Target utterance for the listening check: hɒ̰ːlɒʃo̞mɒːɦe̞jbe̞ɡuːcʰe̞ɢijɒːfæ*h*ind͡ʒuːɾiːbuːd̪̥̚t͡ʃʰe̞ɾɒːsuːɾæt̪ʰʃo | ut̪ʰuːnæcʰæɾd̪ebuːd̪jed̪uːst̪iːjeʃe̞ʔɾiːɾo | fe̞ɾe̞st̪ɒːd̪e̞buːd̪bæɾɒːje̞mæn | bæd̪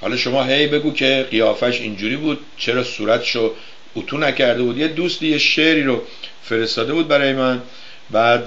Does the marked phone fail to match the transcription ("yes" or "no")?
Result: yes